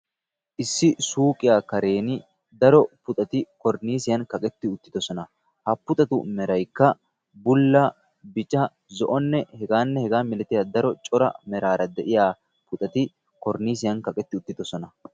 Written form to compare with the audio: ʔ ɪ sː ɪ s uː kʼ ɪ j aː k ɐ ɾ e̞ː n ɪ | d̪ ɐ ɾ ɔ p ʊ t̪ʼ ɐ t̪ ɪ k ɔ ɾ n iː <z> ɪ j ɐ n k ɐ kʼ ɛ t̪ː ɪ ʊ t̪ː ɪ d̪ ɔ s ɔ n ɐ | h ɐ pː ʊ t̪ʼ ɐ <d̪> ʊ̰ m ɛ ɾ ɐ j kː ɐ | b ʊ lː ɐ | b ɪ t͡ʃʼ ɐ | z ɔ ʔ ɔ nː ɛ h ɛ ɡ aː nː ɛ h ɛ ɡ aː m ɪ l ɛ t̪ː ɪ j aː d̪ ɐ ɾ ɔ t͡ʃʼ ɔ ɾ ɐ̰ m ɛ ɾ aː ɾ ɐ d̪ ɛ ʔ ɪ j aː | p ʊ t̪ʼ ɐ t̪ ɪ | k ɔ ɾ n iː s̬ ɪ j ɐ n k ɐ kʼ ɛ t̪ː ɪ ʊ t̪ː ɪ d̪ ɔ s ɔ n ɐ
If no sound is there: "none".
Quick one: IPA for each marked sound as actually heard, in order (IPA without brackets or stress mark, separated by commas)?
s, t̪